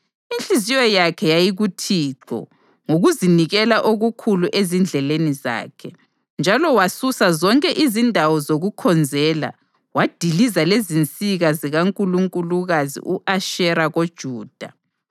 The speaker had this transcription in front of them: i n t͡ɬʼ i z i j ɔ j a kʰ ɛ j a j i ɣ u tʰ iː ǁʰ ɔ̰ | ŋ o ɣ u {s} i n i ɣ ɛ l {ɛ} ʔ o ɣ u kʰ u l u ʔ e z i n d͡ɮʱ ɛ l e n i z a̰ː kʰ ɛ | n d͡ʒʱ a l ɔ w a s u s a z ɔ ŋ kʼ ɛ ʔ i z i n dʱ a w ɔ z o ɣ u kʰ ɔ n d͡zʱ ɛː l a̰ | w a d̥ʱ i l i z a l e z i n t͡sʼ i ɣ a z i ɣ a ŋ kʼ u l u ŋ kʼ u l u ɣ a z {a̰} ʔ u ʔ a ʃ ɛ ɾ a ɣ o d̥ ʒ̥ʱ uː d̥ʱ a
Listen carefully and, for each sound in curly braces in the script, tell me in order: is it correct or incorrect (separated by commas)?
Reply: incorrect, incorrect, incorrect